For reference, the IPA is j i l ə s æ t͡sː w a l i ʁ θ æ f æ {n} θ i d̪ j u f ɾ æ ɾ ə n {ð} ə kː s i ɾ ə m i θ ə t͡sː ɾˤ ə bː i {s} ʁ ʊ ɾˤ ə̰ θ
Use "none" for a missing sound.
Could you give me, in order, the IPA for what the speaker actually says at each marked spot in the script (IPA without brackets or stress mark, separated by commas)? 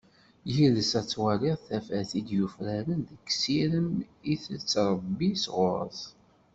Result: none, ð, s